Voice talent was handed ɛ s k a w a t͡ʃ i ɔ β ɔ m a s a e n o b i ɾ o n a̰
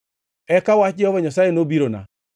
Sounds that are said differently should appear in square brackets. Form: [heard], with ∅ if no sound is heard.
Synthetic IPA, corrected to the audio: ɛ [∅] k a w a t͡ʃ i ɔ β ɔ [ɲ] a s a e n o b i ɾ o n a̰